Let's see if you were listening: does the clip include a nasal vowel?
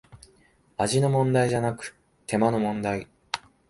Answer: yes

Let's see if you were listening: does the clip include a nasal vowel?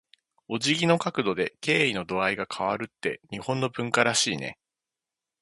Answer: yes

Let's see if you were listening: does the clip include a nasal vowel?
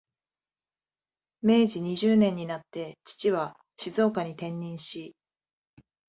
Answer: yes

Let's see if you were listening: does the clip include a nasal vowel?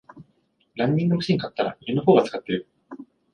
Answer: yes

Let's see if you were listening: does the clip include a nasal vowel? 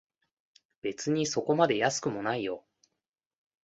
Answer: no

